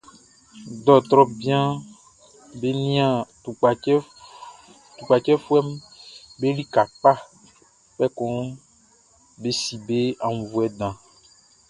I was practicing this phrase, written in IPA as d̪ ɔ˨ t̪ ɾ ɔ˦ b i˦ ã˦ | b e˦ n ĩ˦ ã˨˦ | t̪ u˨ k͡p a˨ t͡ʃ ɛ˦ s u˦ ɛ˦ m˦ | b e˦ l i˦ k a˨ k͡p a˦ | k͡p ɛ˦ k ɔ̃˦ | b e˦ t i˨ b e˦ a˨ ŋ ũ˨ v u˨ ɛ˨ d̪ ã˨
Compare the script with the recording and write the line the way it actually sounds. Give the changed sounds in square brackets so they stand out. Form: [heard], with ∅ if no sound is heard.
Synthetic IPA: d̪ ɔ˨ t̪ ɾ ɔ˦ b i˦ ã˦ | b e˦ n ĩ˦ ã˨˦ | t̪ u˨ k͡p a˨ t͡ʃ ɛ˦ [f] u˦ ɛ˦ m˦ | b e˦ l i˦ k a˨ k͡p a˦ | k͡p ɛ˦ k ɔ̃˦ | b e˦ [s] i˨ b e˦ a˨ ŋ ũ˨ v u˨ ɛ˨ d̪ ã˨